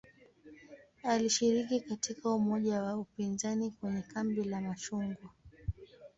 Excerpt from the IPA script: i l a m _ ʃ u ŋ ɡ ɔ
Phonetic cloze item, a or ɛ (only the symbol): a